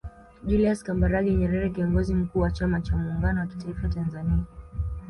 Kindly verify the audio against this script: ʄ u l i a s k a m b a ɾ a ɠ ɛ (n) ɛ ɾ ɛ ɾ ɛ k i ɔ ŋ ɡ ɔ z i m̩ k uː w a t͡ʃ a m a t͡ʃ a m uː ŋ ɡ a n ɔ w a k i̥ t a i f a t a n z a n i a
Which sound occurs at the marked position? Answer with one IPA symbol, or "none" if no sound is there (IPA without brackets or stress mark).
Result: ɲ